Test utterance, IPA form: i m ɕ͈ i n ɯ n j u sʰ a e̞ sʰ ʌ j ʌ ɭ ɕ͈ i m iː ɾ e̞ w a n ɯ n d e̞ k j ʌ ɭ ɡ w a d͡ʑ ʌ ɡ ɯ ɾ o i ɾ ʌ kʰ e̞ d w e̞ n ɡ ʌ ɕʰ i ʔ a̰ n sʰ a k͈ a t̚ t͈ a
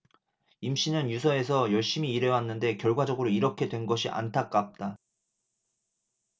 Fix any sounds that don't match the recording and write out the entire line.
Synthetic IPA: i m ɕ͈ i n ɯ n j u sʰ ʌ e̞ sʰ ʌ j ʌ ɭ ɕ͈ i m iː ɾ e̞ w a nː ɯ n d e̞ k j ʌ ɭ ɡ w a d͡ʑ ʌ ɡ ɯ ɾ o i ɾ ʌ kʰ e̞ d w e̞ n ɡ ʌ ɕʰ i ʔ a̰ n tʰ a k͈ a p̚ t͈ a

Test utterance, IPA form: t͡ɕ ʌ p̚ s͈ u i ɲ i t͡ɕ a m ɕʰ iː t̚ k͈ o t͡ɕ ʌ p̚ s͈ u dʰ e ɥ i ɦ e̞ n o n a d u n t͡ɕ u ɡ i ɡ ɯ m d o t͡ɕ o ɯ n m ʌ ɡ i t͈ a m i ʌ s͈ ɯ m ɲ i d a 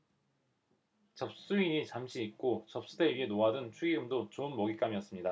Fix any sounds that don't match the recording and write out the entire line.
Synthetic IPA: t͡ɕ ʌ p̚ s͈ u i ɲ i t͡ɕ a m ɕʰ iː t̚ k͈ o t͡ɕ ʌ p̚ s͈ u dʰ e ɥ i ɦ e̞ n o a d ɯ n t͡ɕʰ u ɡ i ɡ ɯ m d o t͡ɕ o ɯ n m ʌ ɡ i k͈ a m i ʌ s͈ ɯ m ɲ i d a

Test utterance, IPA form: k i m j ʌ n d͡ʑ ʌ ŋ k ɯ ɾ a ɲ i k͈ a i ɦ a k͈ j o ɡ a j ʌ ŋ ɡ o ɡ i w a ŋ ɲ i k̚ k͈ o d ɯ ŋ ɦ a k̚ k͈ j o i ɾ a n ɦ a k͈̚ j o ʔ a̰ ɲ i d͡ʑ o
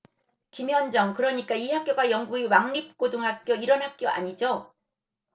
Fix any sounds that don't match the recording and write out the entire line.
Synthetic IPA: k i m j ʌ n d͡ʑ ʌ ŋ k ɯ ɾ ʌ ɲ i k͈ a i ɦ a k͈ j o ɡ a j ʌ ŋ ɡ u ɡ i w a ŋ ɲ i p̚ k͈ o d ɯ ŋ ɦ a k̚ k͈ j o i ɾ ʌ n ɦ a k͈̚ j o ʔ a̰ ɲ i d͡ʑ o

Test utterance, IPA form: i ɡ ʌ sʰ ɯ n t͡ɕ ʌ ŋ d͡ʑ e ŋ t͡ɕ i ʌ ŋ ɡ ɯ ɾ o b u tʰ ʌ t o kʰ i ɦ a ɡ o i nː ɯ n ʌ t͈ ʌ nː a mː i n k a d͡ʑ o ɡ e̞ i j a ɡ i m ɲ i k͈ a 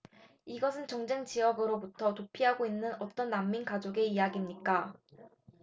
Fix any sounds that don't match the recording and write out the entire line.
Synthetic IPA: i ɡ ʌ sʰ ɯ n t͡ɕ ʌ ŋ d͡ʑ e ŋ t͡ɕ i ʌ ɡ ɯ ɾ o b u tʰ ʌ t o pʰ i ɦ a ɡ o i nː ɯ n ʌ t͈ ʌ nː a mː i n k a d͡ʑ o ɡ e̞ i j a ɡ i m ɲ i k͈ a

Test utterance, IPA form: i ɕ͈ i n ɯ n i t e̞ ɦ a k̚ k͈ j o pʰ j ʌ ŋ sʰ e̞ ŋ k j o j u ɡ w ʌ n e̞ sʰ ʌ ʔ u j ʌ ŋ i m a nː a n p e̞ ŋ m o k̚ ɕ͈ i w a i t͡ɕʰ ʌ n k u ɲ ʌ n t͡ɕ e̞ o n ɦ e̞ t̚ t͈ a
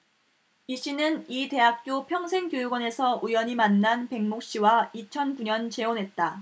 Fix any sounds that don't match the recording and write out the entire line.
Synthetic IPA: i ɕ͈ i n ɯ n i t e̞ ɦ a k̚ k͈ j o pʰ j ʌ ŋ sʰ e̞ ŋ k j o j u ɡ w ʌ n e̞ sʰ ʌ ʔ u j ʌ ɲ i m a nː a n p e̞ ŋ m o k̚ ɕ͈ i w a i t͡ɕʰ ʌ n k u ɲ ʌ n t͡ɕ e̞ o n ɦ e̞ t̚ t͈ a

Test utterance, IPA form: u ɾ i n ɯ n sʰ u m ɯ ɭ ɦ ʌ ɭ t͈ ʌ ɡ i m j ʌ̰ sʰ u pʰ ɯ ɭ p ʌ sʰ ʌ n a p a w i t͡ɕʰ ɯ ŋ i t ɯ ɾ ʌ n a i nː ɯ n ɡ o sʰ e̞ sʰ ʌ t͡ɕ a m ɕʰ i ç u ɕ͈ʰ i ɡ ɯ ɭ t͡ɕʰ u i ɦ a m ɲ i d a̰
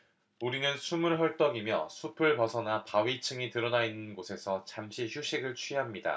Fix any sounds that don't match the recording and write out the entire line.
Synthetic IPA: u ɾ i n ɯ n sʰ u m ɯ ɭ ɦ ʌ ɭ t͈ ʌ ɡ i m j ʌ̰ sʰ u pʰ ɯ ɭ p ʌ sʰ ʌ n a p a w i t͡ɕʰ ɯ ŋ i t ɯ ɾ ʌ n a i nː ɯ n ɡ o sʰ e̞ sʰ ʌ t͡ɕ a m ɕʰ i ç u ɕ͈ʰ i ɡ ɯ ɭ t͡ɕʰ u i ɦ a m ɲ i d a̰

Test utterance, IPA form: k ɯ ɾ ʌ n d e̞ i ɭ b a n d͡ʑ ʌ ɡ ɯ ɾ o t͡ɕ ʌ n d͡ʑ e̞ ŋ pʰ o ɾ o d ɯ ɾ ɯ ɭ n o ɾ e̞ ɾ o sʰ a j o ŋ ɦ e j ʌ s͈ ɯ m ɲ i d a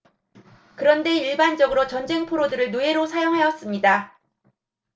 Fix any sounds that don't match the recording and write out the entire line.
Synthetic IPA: k ɯ ɾ ʌ n d e̞ i ɭ b a n d͡ʑ ʌ ɡ ɯ ɾ o t͡ɕ ʌ n d͡ʑ e̞ ŋ pʰ o ɾ o d ɯ ɾ ɯ ɭ n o e̞ ɾ o sʰ a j o ŋ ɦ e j ʌ s͈ ɯ m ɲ i d a

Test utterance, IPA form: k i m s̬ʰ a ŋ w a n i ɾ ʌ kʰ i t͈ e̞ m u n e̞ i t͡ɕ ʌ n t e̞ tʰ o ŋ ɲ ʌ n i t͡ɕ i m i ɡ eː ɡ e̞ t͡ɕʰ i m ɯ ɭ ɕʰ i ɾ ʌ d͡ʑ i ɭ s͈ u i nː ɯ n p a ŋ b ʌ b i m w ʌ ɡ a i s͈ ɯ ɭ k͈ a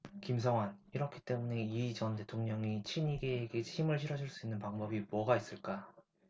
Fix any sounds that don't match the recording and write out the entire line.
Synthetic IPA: k i m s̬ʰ ʌ ŋ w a n i ɾ ʌ kʰ i t͈ e̞ m u n e̞ i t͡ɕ ʌ n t e̞ tʰ o ŋ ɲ ʌ ŋ i t͡ɕʰ i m i ɡ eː ɡ e̞ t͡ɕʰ i m ɯ ɭ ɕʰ i ɾ ʌ d͡ʑ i ɭ s͈ u i nː ɯ n p a ŋ b ʌ b i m w ʌ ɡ a i s͈ ɯ ɭ k͈ a

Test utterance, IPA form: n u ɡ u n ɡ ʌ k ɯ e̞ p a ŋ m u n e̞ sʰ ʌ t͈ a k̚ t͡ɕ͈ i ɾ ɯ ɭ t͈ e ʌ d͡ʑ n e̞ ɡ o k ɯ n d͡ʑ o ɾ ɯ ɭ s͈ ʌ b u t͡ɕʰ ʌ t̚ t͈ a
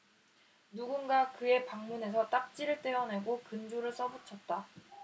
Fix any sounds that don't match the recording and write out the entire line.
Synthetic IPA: n u ɡ u n ɡ a k ɯ e̞ p a ŋ m u n e̞ sʰ ʌ t͈ a k̚ t͡ɕ͈ i ɾ ɯ ɭ t͈ e ʌ n e̞ ɡ o k ɯ n d͡ʑ o ɾ ɯ ɭ s͈ ʌ b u t͡ɕʰ ʌ t̚ t͈ a

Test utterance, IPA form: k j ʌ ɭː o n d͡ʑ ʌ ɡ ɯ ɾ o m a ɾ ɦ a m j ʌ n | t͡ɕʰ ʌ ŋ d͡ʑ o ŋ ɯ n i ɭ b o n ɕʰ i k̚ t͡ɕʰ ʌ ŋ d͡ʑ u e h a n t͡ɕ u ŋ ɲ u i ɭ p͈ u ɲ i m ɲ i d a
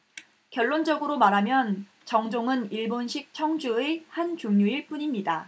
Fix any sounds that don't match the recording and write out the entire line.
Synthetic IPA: k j ʌ ɭː o n d͡ʑ ʌ ɡ ɯ ɾ o m a ɾ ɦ a m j ʌ n | t͡ɕ ʌ ŋ d͡ʑ o ŋ ɯ n i ɭ b o n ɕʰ i k̚ t͡ɕʰ ʌ ŋ d͡ʑ u e h a n t͡ɕ u ŋ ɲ u i ɭ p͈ u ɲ i m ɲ i d a

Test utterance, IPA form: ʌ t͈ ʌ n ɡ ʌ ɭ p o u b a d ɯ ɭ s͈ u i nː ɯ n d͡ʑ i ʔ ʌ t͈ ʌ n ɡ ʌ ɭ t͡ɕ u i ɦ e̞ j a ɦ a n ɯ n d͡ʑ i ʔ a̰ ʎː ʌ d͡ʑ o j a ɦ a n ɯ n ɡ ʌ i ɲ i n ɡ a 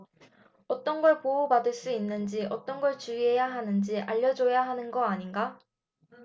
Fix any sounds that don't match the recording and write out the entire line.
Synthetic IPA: ʌ t͈ ʌ n ɡ ʌ ɭ p o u b a d ɯ ɭ s͈ u i nː ɯ n d͡ʑ i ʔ ʌ t͈ ʌ n ɡ ʌ ɭ t͡ɕ u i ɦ e̞ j a ɦ a n ɯ n d͡ʑ i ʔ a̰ ʎː ʌ d͡ʑ o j a ɦ a n ɯ n ɡ ʌ a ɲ i n ɡ a

